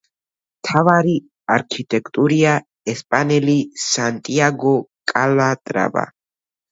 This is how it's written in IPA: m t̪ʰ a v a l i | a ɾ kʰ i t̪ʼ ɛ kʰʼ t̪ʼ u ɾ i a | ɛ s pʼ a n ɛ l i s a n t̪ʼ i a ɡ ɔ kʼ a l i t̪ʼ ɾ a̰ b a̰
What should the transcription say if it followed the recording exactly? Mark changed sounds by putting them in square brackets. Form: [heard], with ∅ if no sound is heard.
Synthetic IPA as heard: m t̪ʰ a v a [ɾ] i | a ɾ kʰ i t̪ʼ ɛ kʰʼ t̪ʼ u ɾ i a | ɛ s pʼ a n ɛ l i s a n t̪ʼ i a ɡ ɔ kʼ a l [a] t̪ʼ ɾ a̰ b a̰